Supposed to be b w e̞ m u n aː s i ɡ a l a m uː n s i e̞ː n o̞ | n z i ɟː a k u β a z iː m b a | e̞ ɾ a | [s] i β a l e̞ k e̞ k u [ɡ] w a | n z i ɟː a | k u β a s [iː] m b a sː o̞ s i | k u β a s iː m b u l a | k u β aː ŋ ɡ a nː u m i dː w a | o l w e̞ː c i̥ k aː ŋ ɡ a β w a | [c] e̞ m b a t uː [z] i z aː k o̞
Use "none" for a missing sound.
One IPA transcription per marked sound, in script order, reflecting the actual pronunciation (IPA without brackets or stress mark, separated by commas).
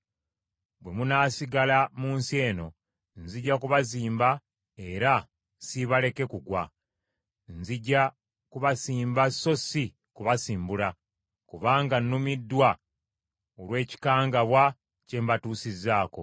s, ɡ, iː, c, s